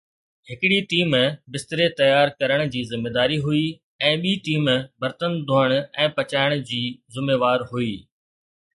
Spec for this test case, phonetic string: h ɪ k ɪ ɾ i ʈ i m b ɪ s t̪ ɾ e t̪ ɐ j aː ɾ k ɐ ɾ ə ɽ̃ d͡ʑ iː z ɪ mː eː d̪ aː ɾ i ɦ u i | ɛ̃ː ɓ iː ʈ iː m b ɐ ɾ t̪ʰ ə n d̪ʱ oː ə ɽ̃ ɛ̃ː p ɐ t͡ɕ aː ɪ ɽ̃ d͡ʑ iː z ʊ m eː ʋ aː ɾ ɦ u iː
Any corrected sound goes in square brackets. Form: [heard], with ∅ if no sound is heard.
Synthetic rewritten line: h ɪ k ɪ [ɽ] i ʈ [iː] m b ɪ s t̪ ɾ e t̪ ɐ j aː ɾ k ɐ ɾ ə ɽ̃ d͡ʑ iː z ɪ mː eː d̪ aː ɾ i ɦ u i | ɛ̃ː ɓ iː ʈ iː m b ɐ ɾ [t̪] ə n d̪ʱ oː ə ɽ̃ ɛ̃ː p ɐ t͡ɕ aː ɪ ɽ̃ d͡ʑ iː z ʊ m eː ʋ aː ɾ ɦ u iː